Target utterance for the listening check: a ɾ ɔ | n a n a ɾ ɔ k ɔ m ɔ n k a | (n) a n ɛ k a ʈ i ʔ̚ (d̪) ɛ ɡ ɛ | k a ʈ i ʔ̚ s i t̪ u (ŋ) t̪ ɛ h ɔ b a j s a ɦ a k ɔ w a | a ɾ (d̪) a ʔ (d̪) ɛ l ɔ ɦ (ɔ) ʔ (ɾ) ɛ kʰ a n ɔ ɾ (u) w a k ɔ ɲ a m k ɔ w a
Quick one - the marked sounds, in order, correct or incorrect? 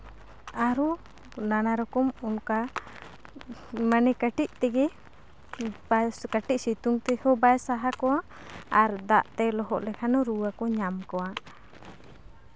incorrect, incorrect, correct, correct, incorrect, correct, incorrect, correct

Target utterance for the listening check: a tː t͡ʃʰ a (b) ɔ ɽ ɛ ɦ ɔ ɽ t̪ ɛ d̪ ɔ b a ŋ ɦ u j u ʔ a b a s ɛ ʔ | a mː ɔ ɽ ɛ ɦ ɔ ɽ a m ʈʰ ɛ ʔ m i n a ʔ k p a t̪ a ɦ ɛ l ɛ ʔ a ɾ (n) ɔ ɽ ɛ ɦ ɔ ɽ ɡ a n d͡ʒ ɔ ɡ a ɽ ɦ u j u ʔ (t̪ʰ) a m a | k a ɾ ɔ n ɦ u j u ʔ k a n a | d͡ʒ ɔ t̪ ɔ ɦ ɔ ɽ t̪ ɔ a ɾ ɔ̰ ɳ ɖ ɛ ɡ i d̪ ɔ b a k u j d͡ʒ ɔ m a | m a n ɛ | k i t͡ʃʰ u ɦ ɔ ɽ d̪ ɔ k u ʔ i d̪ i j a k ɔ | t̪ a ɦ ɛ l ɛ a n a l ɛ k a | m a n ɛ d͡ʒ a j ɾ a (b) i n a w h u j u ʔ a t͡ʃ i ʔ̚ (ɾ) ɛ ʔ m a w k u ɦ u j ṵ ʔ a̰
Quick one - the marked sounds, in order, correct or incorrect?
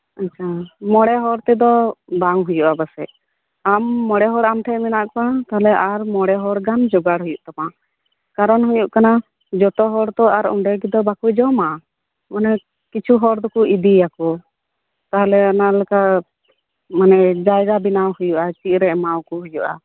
incorrect, incorrect, incorrect, correct, correct

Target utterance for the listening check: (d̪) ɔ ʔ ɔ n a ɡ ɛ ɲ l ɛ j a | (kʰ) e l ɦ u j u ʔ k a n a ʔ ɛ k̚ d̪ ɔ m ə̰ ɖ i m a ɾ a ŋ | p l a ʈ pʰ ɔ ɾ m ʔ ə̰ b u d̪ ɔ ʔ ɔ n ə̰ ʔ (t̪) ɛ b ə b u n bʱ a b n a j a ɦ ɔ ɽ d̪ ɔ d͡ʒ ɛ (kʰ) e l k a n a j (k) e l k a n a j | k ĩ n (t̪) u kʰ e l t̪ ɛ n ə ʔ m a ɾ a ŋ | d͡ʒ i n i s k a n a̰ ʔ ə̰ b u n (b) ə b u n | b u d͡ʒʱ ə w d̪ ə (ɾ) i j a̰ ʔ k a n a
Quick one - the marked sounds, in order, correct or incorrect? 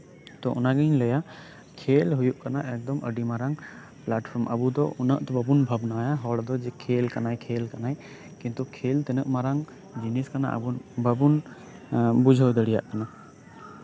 incorrect, correct, correct, correct, incorrect, correct, correct, incorrect

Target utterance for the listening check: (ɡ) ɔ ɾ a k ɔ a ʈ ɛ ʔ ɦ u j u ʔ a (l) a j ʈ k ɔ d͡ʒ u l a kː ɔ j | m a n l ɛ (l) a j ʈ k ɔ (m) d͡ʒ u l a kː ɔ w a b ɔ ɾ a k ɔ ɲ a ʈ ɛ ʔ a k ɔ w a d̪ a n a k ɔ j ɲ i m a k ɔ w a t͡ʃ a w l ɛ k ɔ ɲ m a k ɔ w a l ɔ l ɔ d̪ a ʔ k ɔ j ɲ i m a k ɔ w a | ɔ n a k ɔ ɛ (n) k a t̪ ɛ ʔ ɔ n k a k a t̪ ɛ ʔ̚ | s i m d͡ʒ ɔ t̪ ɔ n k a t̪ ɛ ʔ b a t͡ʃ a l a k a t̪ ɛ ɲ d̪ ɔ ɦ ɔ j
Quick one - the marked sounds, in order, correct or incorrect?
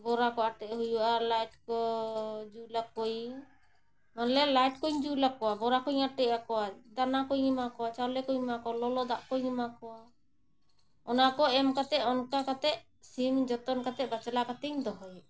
incorrect, correct, correct, incorrect, incorrect

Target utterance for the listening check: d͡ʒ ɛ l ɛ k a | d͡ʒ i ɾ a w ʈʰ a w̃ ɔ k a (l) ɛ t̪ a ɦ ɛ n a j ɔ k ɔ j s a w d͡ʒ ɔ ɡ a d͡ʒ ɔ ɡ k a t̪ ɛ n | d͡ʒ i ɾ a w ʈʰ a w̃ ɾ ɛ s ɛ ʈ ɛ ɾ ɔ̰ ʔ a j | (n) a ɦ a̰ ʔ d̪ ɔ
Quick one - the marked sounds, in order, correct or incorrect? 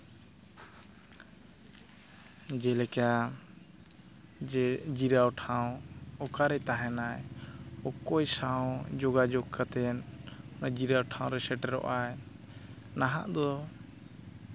incorrect, correct

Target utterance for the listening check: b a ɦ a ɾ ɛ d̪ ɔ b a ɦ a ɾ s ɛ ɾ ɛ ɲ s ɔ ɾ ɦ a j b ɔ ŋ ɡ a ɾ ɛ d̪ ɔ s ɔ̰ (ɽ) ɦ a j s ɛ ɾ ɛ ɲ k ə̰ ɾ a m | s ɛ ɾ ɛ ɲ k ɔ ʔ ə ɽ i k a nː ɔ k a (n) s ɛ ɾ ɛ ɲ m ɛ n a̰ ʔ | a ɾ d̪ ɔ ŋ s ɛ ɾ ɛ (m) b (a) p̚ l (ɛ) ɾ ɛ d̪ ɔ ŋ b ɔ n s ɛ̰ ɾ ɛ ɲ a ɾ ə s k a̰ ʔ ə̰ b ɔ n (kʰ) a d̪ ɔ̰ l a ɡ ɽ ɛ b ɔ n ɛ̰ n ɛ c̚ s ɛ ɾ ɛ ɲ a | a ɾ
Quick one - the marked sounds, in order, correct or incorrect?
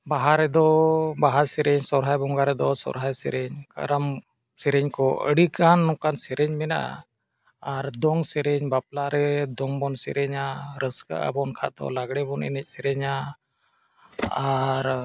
incorrect, correct, incorrect, correct, incorrect, correct

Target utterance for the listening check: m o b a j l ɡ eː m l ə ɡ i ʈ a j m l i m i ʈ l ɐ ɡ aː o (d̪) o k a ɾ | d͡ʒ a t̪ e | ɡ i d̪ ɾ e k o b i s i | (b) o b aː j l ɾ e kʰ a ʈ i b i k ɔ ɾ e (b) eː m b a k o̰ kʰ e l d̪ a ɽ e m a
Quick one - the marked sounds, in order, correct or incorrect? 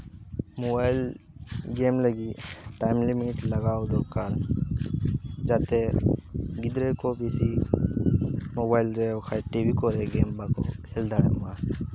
correct, incorrect, incorrect

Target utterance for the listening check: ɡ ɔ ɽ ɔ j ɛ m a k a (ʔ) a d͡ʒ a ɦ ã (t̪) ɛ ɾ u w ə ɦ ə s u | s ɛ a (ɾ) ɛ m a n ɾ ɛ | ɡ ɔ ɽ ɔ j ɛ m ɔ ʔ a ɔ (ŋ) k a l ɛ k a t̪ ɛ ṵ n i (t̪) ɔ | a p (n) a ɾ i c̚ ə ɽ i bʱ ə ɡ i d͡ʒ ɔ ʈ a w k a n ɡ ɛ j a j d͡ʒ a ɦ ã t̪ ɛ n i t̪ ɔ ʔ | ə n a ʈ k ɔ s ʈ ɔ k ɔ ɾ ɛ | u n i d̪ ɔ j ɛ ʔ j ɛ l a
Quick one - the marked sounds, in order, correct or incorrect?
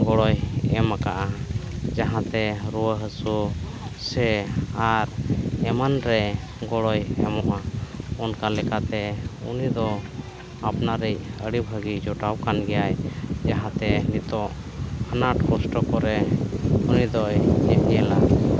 correct, correct, correct, incorrect, incorrect, correct

